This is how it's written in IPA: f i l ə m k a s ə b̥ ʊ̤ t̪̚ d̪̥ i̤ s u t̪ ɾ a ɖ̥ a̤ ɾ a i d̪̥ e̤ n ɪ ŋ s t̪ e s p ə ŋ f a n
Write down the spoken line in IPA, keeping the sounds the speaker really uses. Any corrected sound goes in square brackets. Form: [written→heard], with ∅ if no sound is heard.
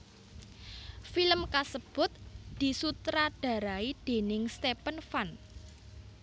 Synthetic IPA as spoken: f i l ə m k a s ə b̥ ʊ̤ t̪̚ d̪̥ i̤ s u t̪ ɾ a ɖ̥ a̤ ɾ a i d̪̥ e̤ n ɪ ŋ s t̪ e [s→∅] p ə [ŋ→n] f a n